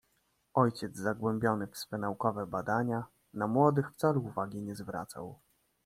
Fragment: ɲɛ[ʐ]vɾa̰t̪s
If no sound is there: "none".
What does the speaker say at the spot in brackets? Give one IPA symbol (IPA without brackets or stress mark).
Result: z